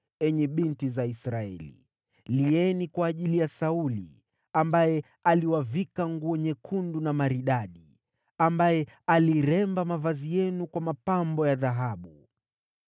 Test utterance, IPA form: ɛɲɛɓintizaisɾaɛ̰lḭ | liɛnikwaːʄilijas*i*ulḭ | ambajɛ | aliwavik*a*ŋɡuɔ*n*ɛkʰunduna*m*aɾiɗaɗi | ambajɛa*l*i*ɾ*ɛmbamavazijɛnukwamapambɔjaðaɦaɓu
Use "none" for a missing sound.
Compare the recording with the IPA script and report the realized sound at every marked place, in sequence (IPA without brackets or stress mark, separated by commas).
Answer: a, a, ɲ, m, l, ɾ